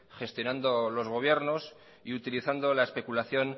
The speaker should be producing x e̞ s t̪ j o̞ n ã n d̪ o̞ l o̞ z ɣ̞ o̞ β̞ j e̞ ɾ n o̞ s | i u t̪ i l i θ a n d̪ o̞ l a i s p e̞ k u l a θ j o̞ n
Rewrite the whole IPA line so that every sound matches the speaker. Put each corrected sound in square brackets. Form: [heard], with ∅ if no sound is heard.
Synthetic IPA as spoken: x e̞ s t̪ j o̞ n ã n d̪ o̞ l o̞ z ɣ̞ o̞ β̞ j e̞ ɾ n o̞ s | i u t̪ i l i θ a n d̪ o̞ l a [e] s p e̞ k u l a θ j o̞ n